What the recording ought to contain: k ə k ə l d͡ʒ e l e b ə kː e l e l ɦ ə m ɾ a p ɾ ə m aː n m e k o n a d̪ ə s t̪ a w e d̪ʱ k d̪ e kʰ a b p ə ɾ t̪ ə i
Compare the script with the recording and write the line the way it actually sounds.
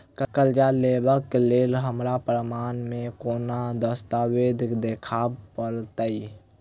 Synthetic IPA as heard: k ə k ə l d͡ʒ a l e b ə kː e l e l ɦ ə m ɾ a p ɾ ə m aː n m e k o n a d̪ ə s t̪ a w e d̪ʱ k d̪ e kʰ a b p ə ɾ t̪ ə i